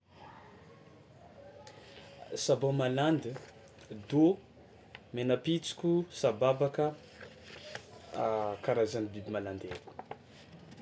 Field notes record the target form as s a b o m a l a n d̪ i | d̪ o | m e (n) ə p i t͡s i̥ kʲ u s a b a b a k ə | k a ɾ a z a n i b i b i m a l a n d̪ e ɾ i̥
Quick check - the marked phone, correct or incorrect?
correct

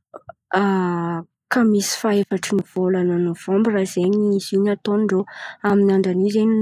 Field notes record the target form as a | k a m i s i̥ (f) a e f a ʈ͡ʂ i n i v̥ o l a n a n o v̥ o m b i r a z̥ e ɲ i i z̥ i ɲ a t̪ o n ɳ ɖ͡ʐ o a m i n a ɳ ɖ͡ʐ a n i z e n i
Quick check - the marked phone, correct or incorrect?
correct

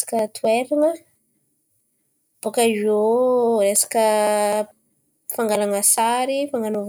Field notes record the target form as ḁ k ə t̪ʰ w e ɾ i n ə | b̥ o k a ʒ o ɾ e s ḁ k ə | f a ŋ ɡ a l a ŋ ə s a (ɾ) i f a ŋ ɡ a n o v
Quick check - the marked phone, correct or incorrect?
correct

